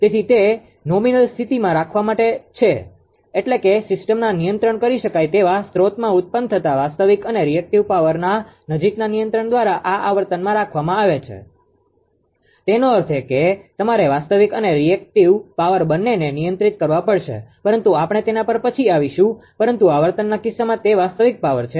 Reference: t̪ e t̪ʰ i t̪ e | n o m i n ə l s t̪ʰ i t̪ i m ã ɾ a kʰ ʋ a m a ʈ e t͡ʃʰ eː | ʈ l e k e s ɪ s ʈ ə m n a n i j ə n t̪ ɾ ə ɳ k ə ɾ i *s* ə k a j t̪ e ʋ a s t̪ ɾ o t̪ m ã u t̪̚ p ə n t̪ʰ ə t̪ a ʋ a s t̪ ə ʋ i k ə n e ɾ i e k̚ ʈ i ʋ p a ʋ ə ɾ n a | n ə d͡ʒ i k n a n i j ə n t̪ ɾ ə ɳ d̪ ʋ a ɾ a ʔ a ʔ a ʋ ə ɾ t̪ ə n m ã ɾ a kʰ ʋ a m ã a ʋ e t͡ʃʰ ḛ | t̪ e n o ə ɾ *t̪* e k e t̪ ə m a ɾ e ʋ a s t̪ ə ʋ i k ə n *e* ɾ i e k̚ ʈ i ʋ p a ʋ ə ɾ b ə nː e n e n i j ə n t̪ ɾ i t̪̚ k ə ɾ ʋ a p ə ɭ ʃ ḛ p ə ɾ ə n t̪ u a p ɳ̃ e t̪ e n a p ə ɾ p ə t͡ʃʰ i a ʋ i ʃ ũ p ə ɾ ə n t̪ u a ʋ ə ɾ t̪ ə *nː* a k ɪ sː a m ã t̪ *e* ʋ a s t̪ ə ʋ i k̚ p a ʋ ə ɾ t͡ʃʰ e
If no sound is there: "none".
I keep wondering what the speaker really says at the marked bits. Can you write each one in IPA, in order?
ʃ, t̪ʰ, e, nː, e

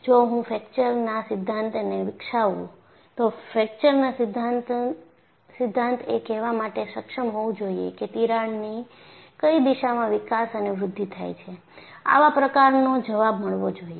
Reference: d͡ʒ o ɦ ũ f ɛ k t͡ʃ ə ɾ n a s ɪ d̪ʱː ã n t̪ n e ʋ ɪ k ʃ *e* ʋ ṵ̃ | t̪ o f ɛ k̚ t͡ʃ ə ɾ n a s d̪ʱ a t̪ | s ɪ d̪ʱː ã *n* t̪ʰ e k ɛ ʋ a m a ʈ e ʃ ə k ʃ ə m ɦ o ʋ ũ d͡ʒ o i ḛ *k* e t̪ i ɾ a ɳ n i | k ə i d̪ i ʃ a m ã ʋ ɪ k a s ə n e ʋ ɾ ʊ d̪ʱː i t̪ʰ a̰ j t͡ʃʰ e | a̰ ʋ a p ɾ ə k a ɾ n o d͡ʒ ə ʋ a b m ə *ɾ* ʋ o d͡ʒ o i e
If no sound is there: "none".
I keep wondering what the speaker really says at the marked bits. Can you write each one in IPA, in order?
a, n, k, ɭ

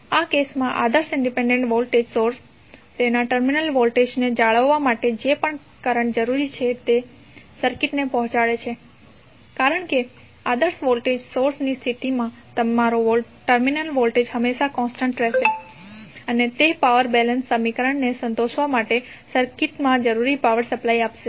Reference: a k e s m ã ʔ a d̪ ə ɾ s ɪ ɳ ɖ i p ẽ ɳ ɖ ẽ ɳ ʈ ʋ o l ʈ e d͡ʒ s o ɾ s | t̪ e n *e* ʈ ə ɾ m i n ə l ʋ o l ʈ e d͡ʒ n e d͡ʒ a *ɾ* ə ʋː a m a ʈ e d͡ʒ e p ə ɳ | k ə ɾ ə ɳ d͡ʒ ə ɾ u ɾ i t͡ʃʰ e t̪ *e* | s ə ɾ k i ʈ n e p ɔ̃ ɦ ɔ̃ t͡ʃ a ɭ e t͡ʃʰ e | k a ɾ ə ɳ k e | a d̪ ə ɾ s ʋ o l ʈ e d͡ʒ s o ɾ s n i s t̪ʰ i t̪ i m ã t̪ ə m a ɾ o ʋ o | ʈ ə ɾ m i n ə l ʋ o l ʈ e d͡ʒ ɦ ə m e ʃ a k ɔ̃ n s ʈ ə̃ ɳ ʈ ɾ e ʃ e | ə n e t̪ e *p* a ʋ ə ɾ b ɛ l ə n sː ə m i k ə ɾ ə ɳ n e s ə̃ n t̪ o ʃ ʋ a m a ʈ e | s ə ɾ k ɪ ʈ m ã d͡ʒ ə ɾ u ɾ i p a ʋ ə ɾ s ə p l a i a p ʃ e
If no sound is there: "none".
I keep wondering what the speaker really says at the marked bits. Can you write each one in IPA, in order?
a, ɭ, e, p

